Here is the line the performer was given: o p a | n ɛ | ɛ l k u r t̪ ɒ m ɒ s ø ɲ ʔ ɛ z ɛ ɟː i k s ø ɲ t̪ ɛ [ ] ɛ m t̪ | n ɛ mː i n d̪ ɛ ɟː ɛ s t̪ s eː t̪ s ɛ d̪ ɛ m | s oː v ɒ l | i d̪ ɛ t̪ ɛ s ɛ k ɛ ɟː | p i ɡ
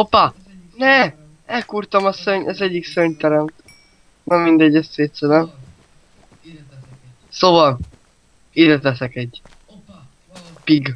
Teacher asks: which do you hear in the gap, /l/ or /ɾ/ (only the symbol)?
ɾ